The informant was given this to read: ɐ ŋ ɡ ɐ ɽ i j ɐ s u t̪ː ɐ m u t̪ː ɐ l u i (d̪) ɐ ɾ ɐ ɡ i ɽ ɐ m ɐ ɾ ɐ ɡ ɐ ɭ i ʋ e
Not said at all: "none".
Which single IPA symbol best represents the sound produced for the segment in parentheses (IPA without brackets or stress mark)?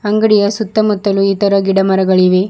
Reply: t̪